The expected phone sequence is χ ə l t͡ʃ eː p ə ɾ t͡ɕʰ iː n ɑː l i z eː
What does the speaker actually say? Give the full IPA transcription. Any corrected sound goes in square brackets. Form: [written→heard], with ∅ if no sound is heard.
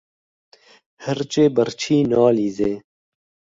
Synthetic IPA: [χ→h] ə [l→ɾ] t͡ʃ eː [p→b] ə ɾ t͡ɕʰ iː n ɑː l i z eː